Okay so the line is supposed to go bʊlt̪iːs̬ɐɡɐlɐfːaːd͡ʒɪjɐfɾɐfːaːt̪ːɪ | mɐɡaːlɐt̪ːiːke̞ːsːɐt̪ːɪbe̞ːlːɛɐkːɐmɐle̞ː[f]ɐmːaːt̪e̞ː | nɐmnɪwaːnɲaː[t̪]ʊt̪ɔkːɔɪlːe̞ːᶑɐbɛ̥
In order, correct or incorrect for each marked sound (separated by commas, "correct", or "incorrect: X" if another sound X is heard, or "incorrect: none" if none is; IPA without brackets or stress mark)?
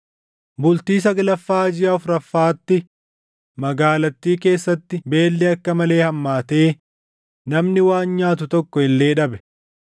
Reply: incorrect: h, correct